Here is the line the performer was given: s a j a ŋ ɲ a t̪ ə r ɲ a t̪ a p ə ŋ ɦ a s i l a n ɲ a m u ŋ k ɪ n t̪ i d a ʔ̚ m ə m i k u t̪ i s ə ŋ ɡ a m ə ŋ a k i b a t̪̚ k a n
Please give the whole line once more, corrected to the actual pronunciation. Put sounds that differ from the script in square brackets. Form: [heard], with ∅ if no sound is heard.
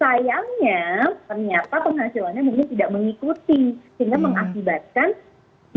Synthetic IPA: s a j a ŋ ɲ a t̪ ə r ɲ a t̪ a p ə ŋ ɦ a s i l a n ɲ a m u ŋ k ɪ n t̪ i d a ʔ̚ m ə [ŋ] i k u t̪ i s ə ŋ ɡ a m ə ŋ a k i b a t̪̚ k a n